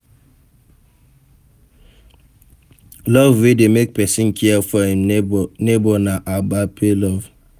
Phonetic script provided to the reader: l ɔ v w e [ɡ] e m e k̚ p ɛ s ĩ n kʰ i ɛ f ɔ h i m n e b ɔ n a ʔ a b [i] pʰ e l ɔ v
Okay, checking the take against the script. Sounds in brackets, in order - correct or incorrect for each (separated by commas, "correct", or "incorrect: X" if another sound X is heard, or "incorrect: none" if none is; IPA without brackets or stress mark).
incorrect: d, incorrect: a